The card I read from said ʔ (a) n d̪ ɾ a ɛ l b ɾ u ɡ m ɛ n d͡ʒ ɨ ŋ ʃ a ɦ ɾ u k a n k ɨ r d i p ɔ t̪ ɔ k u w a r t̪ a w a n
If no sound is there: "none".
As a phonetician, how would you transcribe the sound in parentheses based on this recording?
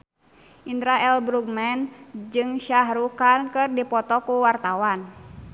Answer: i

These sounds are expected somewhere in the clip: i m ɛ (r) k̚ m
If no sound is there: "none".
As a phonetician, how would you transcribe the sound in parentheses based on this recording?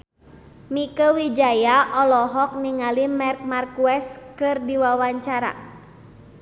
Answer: r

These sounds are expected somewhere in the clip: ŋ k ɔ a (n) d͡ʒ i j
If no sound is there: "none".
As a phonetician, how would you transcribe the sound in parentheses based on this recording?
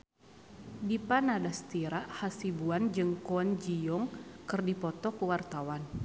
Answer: n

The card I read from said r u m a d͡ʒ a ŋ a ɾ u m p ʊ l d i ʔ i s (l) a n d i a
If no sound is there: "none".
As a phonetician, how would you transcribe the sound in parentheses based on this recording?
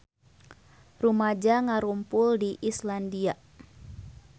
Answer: l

